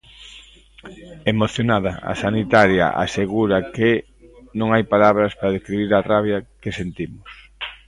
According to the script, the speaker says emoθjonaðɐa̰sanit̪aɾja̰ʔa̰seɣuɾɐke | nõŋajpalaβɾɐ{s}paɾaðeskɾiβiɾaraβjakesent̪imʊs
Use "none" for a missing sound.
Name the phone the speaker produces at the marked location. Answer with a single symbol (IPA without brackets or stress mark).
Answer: s